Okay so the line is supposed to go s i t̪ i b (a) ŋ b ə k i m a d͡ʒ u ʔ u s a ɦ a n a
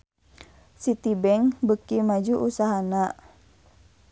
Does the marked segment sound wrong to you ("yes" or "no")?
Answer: yes